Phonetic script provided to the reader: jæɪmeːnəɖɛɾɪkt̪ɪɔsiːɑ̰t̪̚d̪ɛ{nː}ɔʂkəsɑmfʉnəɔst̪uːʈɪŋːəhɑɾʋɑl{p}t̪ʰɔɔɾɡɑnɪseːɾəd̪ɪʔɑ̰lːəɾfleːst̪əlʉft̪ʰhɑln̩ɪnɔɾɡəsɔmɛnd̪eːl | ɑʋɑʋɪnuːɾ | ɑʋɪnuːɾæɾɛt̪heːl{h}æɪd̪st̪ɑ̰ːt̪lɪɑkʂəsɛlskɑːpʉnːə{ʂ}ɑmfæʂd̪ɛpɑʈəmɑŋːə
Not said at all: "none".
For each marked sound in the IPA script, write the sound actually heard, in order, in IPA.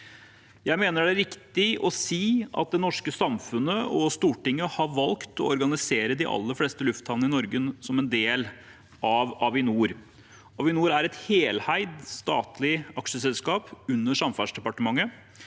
n, k, h, ʂ

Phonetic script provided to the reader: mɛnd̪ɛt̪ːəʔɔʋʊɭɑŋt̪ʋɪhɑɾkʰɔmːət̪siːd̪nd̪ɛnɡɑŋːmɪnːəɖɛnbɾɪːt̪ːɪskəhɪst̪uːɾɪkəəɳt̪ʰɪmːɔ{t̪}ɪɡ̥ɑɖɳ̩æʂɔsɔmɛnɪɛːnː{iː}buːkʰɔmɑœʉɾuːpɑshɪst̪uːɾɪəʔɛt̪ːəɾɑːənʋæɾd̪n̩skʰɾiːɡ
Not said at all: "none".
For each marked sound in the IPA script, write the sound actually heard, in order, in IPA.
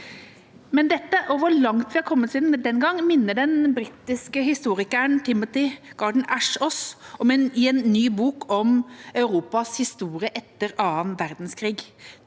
t̪, yː

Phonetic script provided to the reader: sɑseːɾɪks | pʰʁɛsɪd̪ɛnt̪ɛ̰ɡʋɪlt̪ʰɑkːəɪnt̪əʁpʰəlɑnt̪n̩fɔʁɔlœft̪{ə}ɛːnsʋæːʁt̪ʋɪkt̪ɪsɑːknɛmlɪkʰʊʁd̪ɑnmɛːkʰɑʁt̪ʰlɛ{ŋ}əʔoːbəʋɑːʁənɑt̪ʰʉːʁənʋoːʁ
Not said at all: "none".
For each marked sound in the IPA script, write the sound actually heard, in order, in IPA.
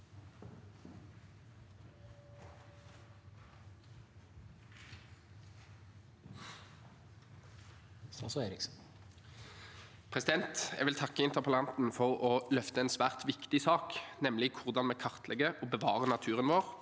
ə, ɡ

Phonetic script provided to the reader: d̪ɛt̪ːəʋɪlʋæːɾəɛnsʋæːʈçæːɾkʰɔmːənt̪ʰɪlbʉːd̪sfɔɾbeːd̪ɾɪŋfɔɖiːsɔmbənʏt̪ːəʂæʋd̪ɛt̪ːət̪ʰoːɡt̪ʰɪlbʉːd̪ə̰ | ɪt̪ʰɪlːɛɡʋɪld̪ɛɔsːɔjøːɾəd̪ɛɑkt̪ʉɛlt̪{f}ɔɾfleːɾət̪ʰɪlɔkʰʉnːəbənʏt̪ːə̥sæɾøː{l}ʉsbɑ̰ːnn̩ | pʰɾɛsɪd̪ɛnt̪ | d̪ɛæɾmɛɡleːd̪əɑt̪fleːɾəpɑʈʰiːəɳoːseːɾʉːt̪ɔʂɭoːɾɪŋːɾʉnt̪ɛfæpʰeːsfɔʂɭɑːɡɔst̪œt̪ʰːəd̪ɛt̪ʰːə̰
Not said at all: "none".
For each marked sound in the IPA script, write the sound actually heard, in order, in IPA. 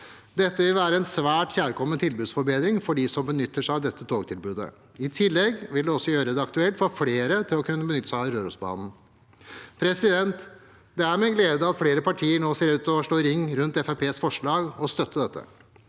f, ɾ

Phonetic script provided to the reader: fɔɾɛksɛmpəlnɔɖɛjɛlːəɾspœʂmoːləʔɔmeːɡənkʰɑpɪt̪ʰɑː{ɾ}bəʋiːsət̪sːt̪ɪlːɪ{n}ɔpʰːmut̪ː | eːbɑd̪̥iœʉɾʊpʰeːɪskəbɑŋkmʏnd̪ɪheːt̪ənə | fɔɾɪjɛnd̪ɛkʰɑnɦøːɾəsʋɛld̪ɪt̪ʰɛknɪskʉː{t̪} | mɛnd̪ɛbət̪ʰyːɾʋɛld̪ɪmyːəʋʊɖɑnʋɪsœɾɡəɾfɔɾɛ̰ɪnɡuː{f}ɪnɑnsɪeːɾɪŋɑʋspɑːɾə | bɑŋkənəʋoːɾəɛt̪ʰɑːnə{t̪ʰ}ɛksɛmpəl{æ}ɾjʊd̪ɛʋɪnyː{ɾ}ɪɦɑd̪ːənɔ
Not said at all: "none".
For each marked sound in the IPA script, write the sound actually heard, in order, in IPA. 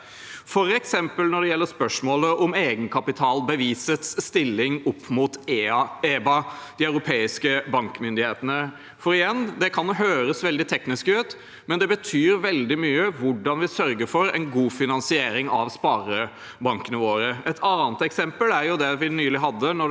l, ŋ, t̪, f, t̪, æ, l

